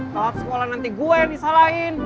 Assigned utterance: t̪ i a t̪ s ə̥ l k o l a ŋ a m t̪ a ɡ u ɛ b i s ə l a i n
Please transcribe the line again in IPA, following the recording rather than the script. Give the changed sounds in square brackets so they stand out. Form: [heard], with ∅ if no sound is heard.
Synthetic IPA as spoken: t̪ [a] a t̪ s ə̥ [∅] k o l a [n] a [n] t̪ [i] ɡ u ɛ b i s [a] l a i n